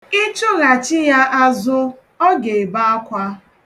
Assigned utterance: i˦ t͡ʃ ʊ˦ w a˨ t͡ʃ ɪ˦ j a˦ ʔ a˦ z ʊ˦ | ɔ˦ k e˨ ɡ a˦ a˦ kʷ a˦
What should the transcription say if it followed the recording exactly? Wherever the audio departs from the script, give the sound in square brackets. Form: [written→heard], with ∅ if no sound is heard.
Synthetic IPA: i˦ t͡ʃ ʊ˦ [w→ɣ] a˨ t͡ʃ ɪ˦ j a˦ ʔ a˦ z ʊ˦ | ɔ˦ [k→ɡ] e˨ [ɡ→b] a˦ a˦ kʷ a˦